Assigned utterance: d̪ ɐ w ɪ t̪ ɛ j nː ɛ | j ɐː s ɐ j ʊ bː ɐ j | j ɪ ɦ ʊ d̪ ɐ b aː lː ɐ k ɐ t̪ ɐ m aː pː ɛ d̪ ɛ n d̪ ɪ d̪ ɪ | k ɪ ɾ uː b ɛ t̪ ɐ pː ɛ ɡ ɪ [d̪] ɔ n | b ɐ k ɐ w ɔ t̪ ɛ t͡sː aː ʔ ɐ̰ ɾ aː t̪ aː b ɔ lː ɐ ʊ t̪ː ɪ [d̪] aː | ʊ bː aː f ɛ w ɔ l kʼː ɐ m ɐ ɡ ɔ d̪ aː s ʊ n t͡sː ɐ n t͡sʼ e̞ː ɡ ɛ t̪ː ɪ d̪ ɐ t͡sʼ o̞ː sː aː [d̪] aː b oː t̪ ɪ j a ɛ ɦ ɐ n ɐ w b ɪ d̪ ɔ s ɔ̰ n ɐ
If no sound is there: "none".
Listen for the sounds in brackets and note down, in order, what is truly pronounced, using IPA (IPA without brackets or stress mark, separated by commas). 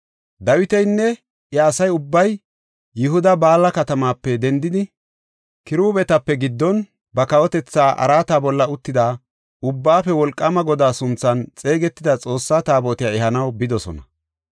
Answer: d̪ː, d̪, t̪